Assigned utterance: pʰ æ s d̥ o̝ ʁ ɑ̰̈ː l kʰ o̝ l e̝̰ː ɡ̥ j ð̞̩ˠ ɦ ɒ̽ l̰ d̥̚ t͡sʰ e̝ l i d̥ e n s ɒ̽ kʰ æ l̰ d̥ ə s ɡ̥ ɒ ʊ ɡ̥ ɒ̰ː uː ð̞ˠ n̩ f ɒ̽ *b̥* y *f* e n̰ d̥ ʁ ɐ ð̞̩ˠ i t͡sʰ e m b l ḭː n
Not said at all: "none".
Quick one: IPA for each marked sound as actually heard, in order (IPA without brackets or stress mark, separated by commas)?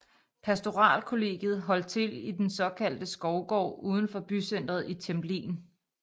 b̥, s